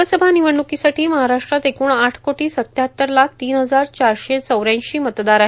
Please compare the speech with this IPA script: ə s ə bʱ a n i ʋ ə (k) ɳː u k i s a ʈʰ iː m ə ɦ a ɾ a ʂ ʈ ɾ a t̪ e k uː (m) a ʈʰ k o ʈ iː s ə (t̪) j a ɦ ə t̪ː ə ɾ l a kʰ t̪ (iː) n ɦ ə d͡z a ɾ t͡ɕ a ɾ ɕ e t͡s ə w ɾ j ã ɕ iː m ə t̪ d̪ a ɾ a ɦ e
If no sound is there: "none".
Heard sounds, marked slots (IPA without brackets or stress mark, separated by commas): none, ɳ, t̪, iː